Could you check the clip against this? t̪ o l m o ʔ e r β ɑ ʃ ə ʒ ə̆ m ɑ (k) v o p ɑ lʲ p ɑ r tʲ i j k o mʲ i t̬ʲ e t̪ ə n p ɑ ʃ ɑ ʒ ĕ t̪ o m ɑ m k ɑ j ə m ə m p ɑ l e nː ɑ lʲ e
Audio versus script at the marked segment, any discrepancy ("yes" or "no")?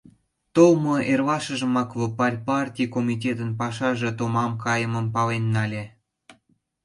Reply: no